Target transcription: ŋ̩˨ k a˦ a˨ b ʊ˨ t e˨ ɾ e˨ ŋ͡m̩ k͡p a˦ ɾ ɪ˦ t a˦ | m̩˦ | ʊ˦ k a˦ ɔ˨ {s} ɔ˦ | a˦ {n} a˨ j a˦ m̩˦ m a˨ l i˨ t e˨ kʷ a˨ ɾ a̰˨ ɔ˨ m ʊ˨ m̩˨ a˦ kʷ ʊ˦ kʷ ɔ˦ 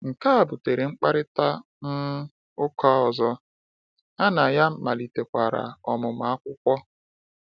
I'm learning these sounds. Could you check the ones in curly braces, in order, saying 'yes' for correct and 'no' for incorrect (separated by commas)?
no, yes